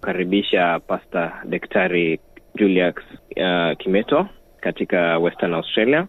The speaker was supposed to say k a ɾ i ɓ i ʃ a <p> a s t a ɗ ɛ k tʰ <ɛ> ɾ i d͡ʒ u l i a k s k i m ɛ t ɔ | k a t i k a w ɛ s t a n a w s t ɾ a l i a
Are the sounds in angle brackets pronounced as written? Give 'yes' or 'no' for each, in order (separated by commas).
yes, no